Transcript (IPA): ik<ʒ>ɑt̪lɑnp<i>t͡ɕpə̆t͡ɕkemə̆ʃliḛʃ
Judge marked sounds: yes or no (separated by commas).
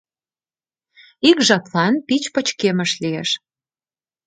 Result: yes, yes